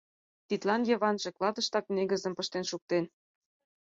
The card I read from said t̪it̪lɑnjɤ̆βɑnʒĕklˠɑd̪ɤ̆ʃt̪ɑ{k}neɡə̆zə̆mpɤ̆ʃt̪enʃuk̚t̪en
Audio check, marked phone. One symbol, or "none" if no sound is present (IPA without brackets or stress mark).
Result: k